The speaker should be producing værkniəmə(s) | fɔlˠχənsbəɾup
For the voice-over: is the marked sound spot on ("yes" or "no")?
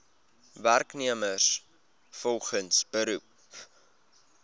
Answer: yes